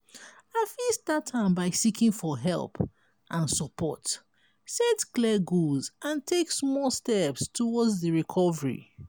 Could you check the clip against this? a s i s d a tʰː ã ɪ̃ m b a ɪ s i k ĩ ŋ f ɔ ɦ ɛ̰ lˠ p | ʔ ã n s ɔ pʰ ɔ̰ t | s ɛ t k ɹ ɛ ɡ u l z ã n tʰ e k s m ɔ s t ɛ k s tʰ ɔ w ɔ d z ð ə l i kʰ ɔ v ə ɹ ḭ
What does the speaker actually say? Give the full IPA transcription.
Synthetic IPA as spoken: a f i s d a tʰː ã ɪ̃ m b a ɪ s i k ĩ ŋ f ɔ ɦ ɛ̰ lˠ p | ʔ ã n s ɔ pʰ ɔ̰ t | s ɛ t k l ɛ ɡ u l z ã n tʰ e k s m ɔ s t ɛ p s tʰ ɔ w ɔ d z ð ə ɹ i kʰ ɔ v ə ɹ ḭ